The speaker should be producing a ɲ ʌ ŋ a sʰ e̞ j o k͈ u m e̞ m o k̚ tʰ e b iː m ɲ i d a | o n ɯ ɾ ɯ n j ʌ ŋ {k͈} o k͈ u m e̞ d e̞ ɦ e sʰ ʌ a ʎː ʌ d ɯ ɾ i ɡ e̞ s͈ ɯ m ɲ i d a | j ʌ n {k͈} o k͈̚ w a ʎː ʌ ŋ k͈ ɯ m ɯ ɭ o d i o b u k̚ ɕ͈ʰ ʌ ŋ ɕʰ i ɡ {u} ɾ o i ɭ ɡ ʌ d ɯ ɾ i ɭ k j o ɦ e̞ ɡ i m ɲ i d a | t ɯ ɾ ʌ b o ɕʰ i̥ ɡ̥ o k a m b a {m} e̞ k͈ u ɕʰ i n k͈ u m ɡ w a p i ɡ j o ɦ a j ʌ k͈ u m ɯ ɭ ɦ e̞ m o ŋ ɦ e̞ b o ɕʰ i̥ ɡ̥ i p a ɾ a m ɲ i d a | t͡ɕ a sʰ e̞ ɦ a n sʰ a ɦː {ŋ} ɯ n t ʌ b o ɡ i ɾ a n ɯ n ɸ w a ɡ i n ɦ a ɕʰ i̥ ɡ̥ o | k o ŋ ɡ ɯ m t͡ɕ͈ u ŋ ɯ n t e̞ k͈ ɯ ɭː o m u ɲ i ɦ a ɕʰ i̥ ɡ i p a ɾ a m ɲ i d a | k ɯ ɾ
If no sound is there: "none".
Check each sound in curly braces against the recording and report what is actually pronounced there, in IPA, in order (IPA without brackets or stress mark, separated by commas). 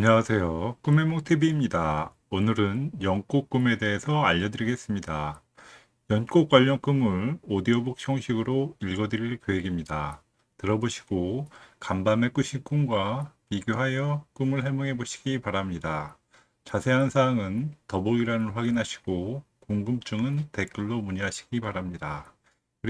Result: k͈, k͈, ɯ, m, ŋ